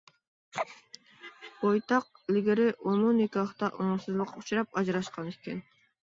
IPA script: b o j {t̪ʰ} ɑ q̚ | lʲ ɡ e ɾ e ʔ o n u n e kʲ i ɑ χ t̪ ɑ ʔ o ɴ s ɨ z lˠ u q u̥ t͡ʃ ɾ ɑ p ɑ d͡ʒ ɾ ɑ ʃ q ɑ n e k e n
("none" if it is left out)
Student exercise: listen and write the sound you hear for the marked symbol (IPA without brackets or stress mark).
t̪